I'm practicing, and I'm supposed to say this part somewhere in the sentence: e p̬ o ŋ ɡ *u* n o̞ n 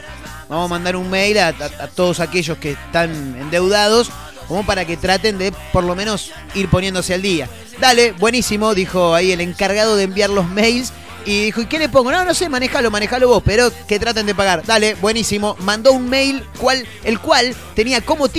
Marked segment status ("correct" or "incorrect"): incorrect